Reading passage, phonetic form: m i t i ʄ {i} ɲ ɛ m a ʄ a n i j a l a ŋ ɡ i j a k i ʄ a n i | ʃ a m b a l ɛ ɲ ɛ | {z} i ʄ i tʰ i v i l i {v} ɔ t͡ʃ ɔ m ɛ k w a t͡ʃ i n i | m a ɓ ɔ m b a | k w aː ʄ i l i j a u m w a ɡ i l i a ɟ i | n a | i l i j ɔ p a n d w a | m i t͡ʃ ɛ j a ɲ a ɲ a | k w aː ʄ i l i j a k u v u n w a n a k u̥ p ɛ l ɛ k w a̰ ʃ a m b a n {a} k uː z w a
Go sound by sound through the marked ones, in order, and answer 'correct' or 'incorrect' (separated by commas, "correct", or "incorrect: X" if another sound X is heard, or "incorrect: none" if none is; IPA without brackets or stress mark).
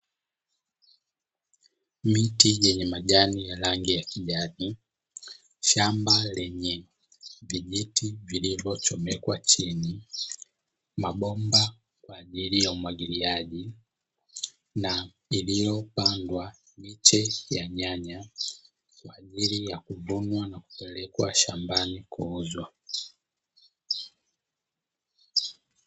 incorrect: ɛ, incorrect: v, correct, incorrect: i